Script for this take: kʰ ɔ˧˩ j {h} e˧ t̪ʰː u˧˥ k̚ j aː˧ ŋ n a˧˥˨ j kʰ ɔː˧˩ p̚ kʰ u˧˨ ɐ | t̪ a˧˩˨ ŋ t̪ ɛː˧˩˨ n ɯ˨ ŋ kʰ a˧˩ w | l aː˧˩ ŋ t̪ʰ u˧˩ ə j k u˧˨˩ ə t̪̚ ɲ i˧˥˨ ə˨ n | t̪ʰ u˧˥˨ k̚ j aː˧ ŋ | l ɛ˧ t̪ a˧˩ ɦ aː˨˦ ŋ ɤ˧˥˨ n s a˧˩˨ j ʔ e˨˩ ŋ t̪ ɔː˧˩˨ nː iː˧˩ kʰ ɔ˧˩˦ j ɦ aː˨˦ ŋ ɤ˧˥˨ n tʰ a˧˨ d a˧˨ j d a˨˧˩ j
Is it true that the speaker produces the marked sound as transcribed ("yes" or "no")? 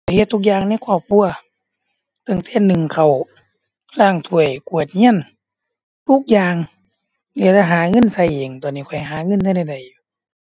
yes